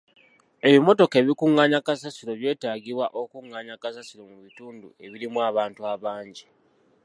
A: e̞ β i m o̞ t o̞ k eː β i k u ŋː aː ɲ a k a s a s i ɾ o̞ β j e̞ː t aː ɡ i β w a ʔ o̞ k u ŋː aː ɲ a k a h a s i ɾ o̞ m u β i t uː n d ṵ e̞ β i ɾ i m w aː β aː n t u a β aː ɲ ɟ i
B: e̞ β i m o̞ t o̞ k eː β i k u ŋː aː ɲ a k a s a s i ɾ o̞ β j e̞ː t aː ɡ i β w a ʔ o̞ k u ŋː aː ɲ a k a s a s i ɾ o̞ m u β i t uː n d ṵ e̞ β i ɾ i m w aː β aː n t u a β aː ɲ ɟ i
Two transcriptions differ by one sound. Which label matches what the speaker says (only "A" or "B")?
B